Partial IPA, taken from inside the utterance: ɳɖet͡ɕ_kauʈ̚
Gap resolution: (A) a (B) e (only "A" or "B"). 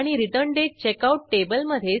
B